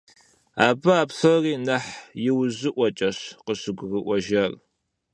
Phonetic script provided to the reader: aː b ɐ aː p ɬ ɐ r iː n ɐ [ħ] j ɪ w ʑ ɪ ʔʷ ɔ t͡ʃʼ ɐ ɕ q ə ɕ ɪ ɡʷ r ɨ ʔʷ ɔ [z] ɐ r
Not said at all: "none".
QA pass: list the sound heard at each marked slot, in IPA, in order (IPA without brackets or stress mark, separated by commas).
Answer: ħ, ʒ